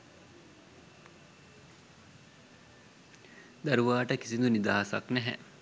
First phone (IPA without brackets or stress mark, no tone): d̪